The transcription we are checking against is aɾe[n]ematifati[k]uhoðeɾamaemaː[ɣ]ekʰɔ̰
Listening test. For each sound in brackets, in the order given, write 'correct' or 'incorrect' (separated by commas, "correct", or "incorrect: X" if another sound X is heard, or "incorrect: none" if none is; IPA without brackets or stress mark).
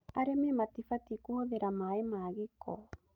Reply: incorrect: m, correct, correct